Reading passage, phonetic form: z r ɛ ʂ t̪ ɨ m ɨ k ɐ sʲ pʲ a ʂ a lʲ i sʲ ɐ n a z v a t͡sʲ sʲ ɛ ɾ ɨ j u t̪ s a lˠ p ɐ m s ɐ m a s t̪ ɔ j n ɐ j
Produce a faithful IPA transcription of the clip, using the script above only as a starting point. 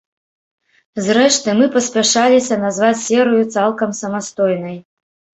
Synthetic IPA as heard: z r ɛ ʂ t̪ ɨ m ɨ p ɐ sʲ pʲ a ʂ a lʲ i sʲ ɐ n a z v a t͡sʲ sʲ ɛ ɾ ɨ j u t̪ s a lˠ k ɐ m s ɐ m a s t̪ ɔ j n ɐ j